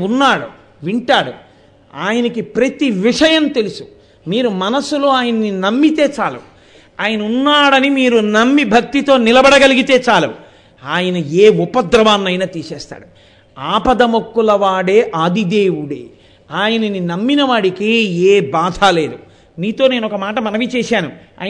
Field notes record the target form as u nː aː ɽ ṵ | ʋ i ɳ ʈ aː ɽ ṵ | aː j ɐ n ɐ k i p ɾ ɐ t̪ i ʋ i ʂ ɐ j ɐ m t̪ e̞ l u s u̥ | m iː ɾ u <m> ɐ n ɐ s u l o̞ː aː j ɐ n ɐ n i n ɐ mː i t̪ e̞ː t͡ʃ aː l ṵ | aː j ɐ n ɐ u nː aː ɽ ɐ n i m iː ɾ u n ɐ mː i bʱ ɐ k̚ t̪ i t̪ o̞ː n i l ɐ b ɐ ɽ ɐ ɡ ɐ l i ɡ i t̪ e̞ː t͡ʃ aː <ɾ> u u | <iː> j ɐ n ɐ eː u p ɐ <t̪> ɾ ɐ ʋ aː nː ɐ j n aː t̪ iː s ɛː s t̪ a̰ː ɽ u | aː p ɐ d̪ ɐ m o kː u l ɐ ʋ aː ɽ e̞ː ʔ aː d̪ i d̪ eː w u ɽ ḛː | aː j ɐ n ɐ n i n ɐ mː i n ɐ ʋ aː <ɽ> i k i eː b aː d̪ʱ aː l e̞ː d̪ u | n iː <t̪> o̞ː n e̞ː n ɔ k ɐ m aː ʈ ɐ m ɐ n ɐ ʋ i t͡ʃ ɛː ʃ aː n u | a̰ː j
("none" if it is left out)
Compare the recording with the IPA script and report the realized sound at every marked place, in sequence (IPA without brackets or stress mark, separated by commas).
m, l, aː, d̪, ɽ, t̪